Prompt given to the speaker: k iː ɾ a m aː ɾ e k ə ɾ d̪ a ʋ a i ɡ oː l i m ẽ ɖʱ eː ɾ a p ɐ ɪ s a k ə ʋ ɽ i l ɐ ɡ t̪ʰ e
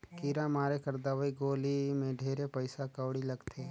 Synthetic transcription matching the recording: k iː ɾ a m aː ɾ e k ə ɾ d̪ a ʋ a i ɡ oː l i m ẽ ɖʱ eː ɾ e p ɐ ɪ s a k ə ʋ ɽ i l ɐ ɡ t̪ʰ e